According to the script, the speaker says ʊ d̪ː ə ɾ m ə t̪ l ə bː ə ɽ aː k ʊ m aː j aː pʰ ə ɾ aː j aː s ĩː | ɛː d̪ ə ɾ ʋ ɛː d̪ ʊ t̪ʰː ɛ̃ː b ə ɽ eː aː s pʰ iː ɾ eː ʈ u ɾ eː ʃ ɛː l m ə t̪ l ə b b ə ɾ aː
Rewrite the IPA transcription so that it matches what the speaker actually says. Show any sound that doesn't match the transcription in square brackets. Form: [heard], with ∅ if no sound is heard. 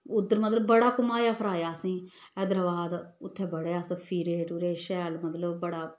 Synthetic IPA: ʊ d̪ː ə ɾ m ə t̪ l ə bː ə ɽ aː k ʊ m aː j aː pʰ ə ɾ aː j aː s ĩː | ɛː d̪ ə ɾ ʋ [aː] d̪ ʊ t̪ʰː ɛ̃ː b ə ɽ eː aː s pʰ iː ɾ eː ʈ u ɾ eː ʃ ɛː l m ə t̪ l ə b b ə [ɽ] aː